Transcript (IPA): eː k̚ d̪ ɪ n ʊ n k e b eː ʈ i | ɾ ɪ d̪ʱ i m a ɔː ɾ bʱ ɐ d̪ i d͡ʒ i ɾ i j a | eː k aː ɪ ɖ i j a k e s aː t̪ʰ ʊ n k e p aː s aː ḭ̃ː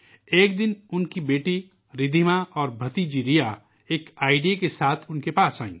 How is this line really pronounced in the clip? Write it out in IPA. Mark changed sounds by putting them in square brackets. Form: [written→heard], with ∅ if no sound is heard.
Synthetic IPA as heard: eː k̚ d̪ ɪ n ʊ n k [e→i] b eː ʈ i | ɾ ɪ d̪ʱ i m a ɔː ɾ bʱ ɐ [d̪→t̪] i d͡ʒ i ɾ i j a | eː k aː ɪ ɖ i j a k e s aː t̪ʰ ʊ n k e p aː s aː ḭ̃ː